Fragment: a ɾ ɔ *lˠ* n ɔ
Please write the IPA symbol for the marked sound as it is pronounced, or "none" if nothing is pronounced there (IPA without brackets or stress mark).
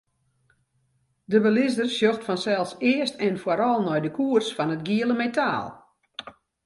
lˠ